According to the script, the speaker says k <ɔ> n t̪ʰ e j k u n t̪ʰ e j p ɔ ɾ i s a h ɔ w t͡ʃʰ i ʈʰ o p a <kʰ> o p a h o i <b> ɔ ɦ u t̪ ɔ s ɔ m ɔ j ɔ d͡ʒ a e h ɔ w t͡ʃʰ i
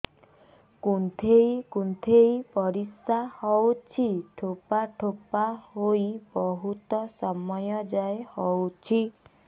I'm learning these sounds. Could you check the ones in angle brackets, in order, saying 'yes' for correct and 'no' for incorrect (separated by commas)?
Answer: no, no, yes